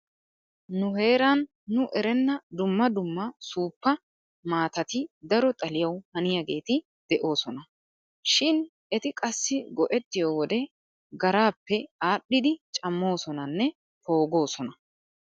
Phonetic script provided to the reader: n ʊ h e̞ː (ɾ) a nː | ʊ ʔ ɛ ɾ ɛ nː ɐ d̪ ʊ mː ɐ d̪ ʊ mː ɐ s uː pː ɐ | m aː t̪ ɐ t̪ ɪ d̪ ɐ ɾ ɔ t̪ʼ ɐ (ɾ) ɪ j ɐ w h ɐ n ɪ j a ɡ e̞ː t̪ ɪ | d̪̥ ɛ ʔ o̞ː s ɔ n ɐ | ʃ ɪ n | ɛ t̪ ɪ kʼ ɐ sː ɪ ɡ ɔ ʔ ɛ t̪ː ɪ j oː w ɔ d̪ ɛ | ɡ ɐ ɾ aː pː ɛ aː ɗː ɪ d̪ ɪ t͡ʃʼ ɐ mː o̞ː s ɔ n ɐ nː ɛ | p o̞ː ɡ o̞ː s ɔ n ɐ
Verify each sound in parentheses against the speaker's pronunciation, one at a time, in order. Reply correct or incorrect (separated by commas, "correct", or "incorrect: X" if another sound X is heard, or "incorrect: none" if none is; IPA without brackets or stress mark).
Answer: correct, incorrect: l